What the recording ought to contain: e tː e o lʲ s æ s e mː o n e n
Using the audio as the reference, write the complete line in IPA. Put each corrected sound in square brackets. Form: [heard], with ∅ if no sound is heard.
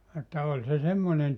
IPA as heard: e tː [æ] o lʲ s [e] s e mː o n e n